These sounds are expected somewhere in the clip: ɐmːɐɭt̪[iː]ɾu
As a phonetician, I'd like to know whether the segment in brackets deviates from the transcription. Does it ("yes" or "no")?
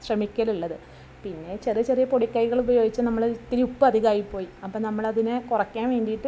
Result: yes